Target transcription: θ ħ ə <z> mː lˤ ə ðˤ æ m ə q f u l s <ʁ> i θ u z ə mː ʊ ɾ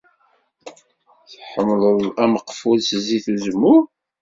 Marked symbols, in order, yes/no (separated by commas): no, no